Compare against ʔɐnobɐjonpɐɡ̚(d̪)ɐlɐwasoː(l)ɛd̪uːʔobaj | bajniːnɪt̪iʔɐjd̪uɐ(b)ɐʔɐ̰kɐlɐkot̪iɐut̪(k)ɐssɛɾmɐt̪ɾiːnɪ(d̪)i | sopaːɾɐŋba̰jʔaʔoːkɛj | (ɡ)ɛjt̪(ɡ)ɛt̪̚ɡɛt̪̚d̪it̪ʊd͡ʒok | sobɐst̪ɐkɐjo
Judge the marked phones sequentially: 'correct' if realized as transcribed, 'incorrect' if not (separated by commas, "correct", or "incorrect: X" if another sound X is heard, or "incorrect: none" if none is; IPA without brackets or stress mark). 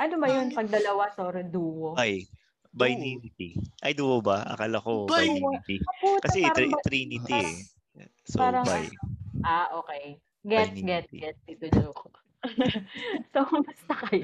correct, incorrect: ɾ, correct, correct, incorrect: t̪, correct, correct